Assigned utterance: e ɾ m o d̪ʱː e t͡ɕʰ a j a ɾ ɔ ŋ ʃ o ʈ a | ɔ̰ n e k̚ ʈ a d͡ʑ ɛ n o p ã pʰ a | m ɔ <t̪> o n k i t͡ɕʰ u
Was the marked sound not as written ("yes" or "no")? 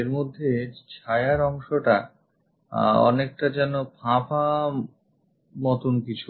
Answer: no